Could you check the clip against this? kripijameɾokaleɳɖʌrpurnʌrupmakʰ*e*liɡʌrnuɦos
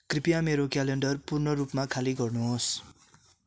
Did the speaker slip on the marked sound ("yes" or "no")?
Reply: yes